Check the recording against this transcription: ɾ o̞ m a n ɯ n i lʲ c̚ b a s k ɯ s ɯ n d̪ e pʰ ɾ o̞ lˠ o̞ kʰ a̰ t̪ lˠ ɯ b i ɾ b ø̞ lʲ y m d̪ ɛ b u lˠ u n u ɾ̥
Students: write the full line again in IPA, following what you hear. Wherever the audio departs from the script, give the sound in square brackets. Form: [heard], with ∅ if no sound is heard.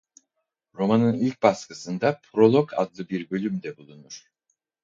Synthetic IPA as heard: ɾ o̞ m a n ɯ n i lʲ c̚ b a s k ɯ s ɯ n d̪ [a] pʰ ɾ o̞ lˠ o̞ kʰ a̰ [d̪] lˠ ɯ b i ɾ b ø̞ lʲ y m d̪ ɛ b u lˠ u n u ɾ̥